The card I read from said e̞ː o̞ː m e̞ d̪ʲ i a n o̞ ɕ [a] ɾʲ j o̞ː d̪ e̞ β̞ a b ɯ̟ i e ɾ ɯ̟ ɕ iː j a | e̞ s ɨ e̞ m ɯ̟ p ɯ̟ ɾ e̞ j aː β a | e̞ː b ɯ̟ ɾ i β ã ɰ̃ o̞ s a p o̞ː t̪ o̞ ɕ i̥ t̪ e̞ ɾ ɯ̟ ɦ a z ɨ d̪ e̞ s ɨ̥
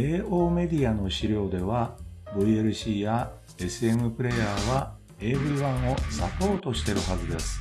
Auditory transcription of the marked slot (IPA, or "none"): i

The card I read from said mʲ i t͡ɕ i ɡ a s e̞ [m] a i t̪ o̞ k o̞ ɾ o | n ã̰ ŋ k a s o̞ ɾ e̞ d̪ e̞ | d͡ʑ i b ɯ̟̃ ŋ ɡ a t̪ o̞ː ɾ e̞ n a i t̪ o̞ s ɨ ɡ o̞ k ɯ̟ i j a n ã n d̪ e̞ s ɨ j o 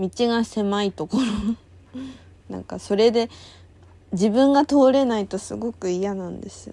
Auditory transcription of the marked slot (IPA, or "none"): m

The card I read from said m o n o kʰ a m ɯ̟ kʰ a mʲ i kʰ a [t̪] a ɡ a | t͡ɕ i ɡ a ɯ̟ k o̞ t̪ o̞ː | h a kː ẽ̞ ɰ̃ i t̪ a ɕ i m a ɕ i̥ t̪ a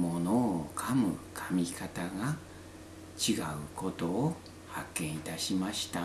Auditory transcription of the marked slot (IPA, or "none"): t̪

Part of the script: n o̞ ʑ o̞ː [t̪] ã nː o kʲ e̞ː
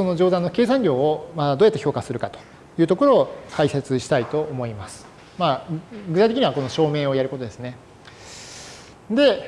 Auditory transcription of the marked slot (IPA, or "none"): d̪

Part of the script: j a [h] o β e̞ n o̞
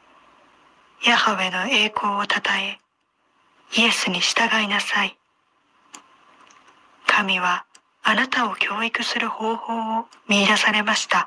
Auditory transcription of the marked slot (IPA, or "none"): h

